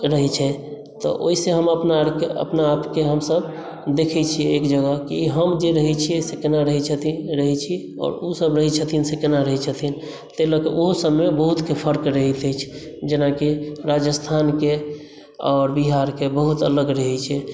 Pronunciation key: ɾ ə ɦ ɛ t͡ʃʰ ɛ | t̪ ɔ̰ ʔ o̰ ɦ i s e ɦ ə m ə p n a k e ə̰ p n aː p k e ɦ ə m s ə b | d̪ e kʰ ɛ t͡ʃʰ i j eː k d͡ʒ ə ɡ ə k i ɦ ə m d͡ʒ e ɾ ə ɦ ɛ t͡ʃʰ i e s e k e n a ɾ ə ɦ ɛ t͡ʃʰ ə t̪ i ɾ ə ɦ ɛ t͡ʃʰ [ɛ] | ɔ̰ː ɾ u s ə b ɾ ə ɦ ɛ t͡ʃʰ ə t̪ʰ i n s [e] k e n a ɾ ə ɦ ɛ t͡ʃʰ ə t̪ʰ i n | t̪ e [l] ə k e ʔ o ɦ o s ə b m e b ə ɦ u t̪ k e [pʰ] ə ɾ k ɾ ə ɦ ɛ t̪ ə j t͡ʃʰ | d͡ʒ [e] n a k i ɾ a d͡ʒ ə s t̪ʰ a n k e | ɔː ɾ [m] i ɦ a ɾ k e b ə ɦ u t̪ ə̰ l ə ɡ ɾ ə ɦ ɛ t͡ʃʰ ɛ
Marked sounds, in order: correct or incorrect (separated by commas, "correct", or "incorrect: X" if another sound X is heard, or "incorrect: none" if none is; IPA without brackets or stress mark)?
incorrect: i, correct, correct, correct, correct, incorrect: b